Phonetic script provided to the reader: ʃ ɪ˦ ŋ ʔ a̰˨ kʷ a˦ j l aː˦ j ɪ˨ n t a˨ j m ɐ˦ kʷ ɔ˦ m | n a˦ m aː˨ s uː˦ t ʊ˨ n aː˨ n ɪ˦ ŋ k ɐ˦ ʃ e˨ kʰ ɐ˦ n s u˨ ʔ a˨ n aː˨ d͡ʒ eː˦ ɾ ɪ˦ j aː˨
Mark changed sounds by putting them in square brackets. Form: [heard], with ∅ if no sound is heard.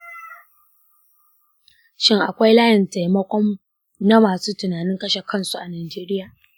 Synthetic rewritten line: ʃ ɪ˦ ŋ ʔ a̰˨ kʷ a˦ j l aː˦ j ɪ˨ n t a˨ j m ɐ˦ kʷ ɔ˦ m | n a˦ m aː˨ s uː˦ t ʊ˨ n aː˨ n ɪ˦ ŋ k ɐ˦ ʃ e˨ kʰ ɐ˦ n s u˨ ʔ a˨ n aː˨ d͡ʒ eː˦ ɾ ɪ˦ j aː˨